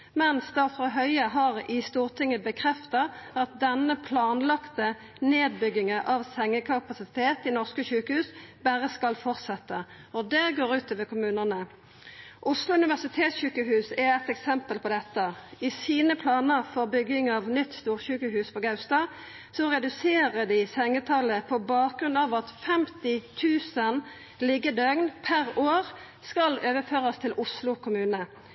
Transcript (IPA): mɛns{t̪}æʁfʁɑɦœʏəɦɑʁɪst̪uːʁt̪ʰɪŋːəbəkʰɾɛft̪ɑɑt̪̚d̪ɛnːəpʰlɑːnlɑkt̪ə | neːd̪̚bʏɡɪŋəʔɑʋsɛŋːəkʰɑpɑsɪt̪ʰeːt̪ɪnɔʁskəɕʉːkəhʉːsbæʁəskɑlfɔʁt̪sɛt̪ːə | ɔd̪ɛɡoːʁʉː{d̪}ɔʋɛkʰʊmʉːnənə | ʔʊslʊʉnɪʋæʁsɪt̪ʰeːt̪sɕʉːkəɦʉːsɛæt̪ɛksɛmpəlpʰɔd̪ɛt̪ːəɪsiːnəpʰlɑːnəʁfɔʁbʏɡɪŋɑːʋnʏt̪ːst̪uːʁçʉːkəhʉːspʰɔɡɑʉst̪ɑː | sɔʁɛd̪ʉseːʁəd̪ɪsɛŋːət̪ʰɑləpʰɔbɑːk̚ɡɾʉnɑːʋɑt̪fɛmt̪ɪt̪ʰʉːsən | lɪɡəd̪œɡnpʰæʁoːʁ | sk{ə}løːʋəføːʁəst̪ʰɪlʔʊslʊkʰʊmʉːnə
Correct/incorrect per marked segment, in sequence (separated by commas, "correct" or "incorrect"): incorrect, incorrect, incorrect